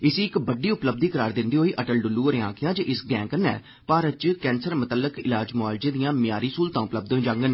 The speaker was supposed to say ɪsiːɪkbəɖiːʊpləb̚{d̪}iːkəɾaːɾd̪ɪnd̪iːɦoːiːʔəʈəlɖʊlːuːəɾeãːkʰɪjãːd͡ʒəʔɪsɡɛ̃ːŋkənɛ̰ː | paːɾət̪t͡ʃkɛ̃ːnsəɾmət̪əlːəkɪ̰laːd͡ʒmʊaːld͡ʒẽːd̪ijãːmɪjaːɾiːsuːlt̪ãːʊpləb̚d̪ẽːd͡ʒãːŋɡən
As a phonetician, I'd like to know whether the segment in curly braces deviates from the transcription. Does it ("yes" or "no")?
no